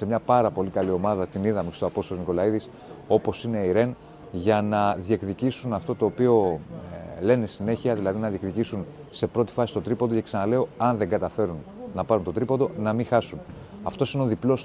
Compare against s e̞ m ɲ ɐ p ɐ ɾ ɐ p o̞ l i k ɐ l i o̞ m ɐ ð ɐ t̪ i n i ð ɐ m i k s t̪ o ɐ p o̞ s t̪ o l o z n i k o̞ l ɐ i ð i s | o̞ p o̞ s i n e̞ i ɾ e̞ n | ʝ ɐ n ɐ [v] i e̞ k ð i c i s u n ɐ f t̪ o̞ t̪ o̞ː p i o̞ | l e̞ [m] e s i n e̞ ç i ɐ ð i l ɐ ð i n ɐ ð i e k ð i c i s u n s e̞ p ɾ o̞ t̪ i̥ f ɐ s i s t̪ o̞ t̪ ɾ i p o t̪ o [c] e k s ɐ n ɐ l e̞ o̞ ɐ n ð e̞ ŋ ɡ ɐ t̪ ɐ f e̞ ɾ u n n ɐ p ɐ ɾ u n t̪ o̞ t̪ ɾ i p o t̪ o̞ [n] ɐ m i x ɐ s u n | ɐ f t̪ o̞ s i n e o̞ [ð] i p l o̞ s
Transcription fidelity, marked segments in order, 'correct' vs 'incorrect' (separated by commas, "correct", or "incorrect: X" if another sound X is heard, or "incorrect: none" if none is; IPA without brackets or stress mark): incorrect: ð, incorrect: n, correct, correct, correct